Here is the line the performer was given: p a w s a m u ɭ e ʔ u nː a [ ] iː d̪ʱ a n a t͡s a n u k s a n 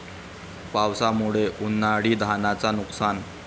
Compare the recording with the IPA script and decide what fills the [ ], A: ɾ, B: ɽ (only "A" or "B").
B